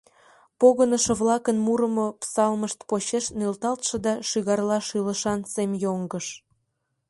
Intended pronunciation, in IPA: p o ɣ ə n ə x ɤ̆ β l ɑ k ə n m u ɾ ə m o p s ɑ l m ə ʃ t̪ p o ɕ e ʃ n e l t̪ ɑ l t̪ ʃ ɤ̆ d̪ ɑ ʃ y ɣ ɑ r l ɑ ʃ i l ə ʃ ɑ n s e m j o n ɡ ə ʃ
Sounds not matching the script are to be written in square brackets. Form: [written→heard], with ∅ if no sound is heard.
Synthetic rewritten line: p o ɣ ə n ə [x→ʃ] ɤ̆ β l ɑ k ə n m u ɾ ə m o p s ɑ l m ə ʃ t̪ p o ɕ e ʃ n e l t̪ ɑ l t̪ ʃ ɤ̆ d̪ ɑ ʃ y ɣ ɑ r l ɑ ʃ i l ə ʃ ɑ n s e m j o [n→ŋ] ɡ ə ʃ